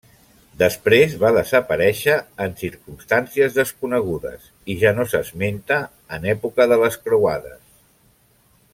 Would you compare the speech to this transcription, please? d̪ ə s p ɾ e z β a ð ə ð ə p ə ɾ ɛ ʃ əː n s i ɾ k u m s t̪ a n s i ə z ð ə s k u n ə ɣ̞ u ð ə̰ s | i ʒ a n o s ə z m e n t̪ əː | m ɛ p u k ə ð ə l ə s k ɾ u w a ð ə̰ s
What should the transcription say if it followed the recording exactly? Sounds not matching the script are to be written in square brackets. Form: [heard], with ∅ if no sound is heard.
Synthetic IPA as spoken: d̪ ə s p ɾ e z β a ð ə [z] ə p ə ɾ ɛ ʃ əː n s i ɾ k u m s t̪ a n s i ə z ð ə s k u n ə ɣ̞ u ð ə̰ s | i ʒ a n o s ə z m e n t̪ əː | [n] ɛ p u k ə ð ə l ə s k ɾ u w a ð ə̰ s